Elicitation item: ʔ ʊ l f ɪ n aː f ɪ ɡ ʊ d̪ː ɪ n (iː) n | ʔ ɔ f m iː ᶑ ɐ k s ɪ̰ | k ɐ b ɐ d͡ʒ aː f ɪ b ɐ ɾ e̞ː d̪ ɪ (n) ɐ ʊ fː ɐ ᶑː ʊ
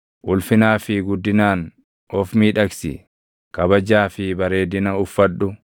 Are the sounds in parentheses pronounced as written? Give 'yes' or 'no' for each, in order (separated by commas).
no, yes